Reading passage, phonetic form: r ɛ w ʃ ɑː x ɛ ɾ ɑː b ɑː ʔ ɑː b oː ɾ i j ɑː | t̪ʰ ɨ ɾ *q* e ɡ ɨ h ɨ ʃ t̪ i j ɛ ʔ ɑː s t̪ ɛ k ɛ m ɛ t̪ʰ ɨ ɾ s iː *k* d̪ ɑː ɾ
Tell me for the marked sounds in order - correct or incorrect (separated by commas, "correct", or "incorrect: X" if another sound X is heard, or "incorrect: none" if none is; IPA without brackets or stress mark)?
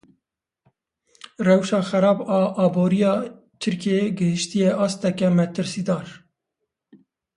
incorrect: k, incorrect: none